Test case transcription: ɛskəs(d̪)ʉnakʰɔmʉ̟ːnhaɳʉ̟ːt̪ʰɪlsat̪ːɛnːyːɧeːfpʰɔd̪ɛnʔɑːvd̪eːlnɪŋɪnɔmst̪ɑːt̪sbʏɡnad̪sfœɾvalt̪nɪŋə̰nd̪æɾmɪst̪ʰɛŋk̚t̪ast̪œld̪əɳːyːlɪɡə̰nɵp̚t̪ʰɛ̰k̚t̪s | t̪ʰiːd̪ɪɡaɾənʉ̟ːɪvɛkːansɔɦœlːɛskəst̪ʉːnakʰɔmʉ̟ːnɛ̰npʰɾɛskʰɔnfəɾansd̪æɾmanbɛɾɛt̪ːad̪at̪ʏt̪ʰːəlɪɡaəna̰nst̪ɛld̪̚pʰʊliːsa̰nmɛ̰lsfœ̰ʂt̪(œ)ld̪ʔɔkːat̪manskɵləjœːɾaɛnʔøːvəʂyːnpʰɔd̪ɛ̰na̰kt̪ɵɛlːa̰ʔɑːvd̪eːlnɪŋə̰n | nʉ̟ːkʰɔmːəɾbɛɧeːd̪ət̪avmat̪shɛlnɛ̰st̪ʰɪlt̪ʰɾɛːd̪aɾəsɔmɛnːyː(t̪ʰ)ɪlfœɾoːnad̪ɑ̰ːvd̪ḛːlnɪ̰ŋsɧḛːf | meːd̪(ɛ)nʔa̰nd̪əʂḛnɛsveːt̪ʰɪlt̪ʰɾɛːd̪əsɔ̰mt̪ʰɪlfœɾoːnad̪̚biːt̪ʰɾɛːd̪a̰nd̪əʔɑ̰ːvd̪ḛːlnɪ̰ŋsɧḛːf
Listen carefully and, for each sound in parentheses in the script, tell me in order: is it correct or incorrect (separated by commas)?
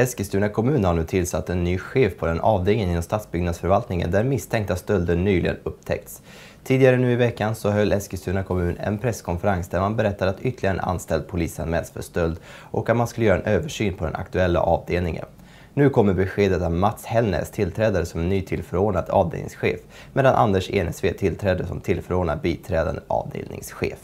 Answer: incorrect, correct, correct, incorrect